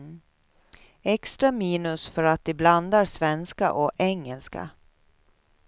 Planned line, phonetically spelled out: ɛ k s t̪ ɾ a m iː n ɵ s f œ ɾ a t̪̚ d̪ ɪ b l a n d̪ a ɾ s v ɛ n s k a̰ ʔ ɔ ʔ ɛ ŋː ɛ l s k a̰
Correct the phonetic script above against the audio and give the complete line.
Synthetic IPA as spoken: ɛ k s t̪ ɾ a m iː n ɵ s f œ ɾ a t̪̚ d̪ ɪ b l a n d̪ a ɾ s v ɛ n s k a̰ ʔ ɔ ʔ ɛ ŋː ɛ l s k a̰